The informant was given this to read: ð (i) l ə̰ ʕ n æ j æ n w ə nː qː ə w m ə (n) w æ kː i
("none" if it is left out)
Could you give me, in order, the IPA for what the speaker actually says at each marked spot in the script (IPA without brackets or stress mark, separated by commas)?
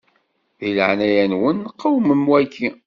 i, m